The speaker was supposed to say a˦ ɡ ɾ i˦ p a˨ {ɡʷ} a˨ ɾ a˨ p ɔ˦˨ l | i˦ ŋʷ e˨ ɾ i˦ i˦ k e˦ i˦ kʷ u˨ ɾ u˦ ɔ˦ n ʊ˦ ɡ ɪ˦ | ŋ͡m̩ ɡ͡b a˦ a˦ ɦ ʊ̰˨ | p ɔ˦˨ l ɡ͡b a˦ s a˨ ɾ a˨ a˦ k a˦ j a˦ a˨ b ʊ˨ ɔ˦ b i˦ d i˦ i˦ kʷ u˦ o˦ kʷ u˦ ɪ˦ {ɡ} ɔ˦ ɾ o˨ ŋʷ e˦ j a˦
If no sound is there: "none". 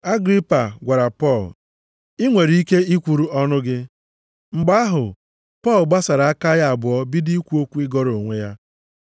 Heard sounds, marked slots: ɡʷ, ɡ

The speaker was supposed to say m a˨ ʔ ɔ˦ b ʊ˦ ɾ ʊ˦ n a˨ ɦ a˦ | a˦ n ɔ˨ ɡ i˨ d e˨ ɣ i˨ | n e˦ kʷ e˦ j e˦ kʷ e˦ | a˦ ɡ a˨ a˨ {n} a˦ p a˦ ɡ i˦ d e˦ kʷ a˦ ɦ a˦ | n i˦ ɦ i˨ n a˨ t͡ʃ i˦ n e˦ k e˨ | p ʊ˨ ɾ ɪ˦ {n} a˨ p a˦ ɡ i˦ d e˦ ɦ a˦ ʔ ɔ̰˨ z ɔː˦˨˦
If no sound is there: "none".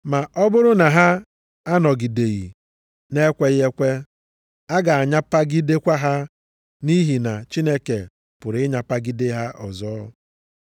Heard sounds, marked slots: ɲ, ɲ

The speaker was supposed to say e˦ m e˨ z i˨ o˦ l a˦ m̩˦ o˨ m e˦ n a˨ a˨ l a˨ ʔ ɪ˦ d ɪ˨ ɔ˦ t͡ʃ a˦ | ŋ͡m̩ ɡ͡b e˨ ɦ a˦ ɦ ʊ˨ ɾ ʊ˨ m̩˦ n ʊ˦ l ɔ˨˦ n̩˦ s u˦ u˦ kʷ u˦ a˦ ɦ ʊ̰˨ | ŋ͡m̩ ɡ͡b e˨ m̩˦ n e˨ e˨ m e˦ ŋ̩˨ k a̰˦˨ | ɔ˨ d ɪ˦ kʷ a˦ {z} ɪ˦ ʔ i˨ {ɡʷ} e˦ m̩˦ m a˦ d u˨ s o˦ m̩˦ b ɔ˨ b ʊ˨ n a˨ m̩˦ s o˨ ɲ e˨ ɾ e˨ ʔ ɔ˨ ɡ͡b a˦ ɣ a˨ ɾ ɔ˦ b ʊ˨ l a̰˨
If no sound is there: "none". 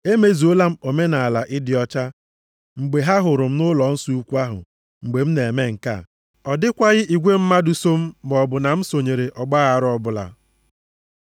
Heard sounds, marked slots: ɣ, ɡʷ

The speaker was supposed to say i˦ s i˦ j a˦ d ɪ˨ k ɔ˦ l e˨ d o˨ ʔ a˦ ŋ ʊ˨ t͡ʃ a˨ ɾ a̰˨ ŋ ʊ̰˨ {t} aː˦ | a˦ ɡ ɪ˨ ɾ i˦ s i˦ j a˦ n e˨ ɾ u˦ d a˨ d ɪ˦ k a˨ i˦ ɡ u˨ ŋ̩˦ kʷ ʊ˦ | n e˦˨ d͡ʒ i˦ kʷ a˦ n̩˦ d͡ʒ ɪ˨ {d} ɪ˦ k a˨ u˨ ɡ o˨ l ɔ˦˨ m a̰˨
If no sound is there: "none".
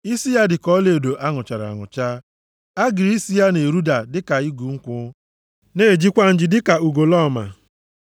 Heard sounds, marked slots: t͡ʃ, d

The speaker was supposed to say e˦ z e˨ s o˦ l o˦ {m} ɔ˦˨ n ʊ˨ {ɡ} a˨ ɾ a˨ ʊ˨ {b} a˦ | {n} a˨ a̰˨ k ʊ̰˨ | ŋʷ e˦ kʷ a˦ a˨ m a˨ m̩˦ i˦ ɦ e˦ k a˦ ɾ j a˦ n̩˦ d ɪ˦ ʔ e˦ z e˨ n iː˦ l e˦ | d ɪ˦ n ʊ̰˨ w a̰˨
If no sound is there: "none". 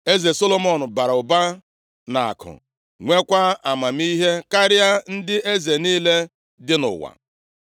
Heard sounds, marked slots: m, b, b, n

